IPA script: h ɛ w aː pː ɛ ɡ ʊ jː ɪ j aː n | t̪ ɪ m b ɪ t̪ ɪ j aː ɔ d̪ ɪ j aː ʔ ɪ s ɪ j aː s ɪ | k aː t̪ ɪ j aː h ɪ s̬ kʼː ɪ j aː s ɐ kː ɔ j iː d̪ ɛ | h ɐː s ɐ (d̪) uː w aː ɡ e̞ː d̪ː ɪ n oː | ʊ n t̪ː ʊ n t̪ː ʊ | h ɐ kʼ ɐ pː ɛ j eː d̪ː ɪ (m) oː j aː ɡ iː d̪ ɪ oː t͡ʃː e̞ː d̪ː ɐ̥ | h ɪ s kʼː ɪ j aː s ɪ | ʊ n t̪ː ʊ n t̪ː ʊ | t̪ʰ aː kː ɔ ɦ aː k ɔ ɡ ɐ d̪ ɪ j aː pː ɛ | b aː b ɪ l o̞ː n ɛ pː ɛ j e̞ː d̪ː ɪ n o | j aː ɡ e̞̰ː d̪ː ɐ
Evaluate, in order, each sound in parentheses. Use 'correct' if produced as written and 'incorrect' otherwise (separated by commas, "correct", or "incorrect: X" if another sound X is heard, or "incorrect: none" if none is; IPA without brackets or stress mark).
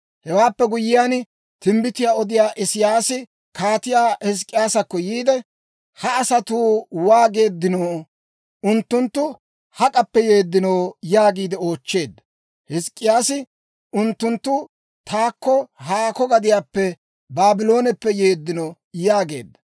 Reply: incorrect: t̪, incorrect: n